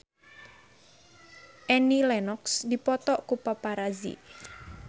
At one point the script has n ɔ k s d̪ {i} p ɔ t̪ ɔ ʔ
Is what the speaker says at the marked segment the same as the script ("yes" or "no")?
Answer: yes